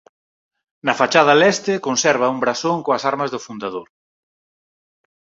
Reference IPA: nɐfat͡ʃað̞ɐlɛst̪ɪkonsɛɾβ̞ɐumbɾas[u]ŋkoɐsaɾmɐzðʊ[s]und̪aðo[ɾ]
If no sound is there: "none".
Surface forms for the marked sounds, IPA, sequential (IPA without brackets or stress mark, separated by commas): o, f, ɾ